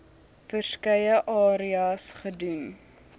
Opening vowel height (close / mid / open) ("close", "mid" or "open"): mid